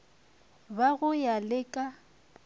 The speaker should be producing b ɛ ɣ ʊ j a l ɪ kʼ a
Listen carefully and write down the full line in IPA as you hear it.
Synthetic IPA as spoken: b a ɣ ʊ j a l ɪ kʼ a